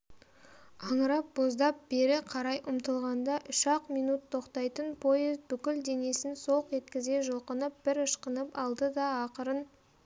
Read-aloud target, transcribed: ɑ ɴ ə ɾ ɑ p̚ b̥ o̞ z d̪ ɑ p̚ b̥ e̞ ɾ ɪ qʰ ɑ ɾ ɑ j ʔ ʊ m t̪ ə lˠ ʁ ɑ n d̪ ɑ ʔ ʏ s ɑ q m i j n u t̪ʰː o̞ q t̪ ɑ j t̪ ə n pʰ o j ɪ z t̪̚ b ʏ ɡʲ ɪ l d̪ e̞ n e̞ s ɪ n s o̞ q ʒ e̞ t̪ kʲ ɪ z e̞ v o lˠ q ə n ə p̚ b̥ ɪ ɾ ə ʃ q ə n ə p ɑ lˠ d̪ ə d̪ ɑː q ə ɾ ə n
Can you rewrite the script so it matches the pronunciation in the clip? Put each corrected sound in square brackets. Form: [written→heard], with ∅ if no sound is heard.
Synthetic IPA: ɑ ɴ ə ɾ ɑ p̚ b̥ o̞ z d̪ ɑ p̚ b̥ e̞ ɾ ɪ qʰ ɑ ɾ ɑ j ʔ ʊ m t̪ ə lˠ ʁ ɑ n d̪ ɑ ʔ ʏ [s→ʃ] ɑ q m i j n u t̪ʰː o̞ q t̪ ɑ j t̪ ə n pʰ o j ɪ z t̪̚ b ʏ [ɡʲ→kʲ] ɪ l d̪ e̞ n e̞ s ɪ n s o̞ q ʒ e̞ t̪ kʲ ɪ z e̞ [v→ʒ] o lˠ q ə n ə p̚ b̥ ɪ ɾ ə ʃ q ə n ə p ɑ lˠ d̪ ə d̪ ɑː q ə ɾ ə n